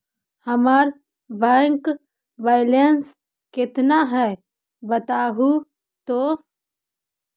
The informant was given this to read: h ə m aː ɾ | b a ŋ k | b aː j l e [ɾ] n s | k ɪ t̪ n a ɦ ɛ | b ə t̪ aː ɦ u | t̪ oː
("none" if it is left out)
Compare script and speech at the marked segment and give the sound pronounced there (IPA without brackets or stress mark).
none